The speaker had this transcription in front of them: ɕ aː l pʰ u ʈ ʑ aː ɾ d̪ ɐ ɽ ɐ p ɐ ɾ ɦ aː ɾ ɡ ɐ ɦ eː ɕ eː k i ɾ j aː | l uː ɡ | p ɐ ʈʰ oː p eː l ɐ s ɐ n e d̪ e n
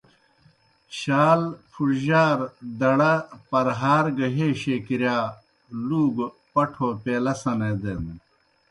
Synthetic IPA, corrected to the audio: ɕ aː l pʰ u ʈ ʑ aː ɾ d̪ ɐ ɽ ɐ p ɐ ɾ ɦ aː ɾ ɡ ɐ ɦ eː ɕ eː k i ɾ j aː | l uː ɡ | p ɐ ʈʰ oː p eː l ɐ s ɐ n e d̪ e n